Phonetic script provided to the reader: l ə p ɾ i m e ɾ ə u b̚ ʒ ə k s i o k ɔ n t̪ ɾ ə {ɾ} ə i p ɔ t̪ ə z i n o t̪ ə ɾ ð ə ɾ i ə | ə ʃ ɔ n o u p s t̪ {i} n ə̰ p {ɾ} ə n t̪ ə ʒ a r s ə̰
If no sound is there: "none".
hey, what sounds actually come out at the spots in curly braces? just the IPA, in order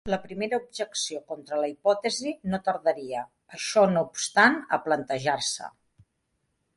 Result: l, a, l

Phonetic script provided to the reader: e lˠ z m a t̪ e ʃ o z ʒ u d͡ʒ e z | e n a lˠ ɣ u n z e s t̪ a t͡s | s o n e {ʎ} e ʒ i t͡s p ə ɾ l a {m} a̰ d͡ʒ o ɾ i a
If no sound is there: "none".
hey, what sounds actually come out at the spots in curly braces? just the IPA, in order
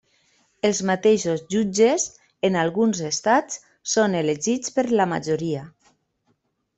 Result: l, m

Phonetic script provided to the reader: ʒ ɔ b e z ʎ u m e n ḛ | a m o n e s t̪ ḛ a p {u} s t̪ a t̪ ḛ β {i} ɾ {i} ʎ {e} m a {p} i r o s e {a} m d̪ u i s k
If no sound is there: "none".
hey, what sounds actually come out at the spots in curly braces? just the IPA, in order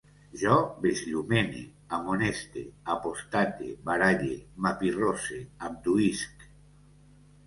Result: o, a, a, e, p, a

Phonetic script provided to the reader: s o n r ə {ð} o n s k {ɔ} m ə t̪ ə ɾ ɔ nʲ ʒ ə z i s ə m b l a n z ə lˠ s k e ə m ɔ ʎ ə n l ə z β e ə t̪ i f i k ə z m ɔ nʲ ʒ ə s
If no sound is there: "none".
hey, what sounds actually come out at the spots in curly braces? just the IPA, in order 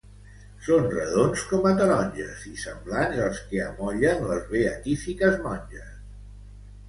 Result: ð, ɔ

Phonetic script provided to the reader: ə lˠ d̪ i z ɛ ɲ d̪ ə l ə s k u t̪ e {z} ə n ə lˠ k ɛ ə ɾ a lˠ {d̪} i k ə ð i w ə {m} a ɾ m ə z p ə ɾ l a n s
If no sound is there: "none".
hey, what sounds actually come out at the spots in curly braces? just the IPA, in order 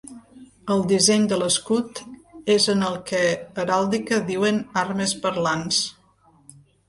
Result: z, d̪, n

